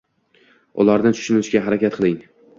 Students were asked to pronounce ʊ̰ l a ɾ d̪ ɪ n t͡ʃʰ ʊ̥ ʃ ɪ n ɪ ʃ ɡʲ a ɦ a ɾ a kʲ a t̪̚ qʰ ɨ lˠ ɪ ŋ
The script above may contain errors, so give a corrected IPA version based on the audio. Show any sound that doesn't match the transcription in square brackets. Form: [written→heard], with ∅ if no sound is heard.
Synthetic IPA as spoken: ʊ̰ l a ɾ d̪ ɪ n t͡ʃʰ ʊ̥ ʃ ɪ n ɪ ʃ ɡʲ a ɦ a ɾ a kʲ a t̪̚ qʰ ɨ lˠ ɪ ŋ